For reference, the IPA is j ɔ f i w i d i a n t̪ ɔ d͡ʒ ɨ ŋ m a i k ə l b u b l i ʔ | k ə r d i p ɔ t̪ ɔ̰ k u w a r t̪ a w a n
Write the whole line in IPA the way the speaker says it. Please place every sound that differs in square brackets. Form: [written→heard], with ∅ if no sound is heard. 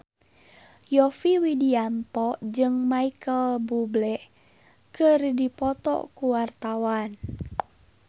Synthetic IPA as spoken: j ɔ f i w i d i a n t̪ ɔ d͡ʒ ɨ ŋ m a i k ə l b u b l [i→ɛ] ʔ | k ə r d i p ɔ t̪ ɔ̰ k u w a r t̪ a w a n